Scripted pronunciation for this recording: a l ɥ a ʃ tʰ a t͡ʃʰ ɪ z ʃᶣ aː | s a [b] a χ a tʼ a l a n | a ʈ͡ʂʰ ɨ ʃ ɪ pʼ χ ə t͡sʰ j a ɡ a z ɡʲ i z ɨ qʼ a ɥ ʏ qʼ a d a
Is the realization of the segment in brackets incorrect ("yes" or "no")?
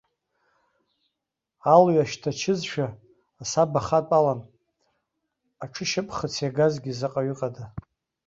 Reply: no